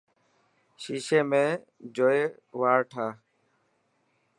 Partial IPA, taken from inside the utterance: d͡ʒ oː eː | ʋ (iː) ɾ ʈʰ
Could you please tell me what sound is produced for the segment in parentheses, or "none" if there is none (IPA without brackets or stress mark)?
aː